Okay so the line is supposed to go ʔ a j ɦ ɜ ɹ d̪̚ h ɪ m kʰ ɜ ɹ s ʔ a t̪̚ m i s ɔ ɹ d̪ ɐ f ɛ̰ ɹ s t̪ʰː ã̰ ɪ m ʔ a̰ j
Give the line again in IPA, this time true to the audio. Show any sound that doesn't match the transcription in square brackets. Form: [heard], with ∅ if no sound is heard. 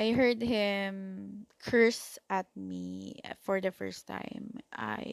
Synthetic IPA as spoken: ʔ a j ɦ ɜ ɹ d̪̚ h ɪ m kʰ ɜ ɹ s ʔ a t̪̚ m i [f] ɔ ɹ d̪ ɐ f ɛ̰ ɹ s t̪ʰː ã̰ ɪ m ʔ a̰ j